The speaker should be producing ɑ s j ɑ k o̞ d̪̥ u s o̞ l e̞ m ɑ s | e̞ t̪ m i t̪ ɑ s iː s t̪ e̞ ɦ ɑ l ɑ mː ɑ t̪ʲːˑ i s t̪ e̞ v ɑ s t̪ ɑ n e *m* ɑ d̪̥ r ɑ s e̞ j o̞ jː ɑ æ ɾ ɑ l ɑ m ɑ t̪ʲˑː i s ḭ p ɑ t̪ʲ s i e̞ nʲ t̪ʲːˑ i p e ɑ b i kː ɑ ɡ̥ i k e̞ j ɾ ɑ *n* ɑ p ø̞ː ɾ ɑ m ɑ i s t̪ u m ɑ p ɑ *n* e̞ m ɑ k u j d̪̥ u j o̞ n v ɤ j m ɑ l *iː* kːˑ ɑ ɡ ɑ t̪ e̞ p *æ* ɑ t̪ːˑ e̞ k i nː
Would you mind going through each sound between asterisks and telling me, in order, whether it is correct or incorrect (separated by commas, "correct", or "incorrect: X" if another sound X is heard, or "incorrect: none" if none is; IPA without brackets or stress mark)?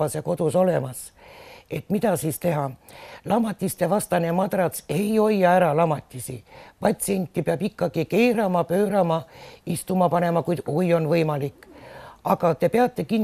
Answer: correct, incorrect: m, correct, incorrect: i, incorrect: e